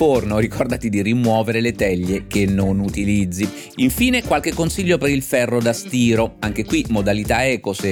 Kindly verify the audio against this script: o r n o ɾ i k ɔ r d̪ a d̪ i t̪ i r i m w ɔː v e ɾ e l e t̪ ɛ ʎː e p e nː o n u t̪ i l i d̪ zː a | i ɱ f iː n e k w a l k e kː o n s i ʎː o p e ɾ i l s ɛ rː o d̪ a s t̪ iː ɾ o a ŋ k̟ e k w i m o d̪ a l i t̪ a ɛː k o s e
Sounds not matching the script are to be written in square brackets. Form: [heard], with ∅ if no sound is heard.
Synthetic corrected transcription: o r n o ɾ i k ɔ r d̪ a [t̪] i [d̪] i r i m w ɔː v e ɾ e l e t̪ ɛ ʎː e [k] e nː o n u t̪ i l i d̪ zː [i] | i ɱ f iː n e k w a l k e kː o n s i ʎː o p e ɾ i l [f] ɛ rː o d̪ a s t̪ iː ɾ o a ŋ k̟ e k w i m o d̪ a l i t̪ a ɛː k o s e